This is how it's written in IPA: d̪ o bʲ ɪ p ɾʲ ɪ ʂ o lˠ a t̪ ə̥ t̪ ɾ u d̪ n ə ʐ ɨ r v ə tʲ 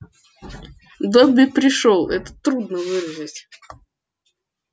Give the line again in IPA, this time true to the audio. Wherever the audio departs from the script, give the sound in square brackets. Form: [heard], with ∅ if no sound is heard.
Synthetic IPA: d̪ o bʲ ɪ p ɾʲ ɪ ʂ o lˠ [ɛ] t̪ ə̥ t̪ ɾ u d̪ n ə [v] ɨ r [z] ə tʲ